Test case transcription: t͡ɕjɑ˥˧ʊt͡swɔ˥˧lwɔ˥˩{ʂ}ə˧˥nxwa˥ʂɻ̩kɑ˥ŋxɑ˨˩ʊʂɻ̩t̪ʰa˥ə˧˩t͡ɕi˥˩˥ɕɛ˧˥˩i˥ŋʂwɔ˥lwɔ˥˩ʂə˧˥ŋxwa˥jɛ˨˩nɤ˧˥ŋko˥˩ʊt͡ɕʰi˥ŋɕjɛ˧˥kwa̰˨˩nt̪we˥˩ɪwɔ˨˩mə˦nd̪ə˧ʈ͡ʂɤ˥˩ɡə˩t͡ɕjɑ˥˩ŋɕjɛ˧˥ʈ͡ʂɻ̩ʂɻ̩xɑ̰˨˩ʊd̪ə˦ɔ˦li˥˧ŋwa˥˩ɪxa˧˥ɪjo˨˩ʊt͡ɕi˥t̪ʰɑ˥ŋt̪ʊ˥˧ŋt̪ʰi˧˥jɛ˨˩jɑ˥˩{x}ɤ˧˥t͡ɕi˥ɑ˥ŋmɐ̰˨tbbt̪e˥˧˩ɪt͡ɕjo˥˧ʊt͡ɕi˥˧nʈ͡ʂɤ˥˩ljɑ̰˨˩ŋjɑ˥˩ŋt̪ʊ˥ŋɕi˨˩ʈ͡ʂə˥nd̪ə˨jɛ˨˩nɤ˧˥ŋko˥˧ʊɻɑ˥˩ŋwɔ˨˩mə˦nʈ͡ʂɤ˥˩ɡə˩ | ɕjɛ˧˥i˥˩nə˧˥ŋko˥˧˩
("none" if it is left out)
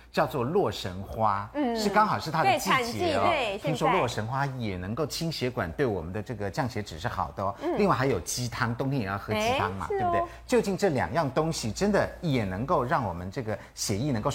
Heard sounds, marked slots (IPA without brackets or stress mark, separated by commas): ʂ, x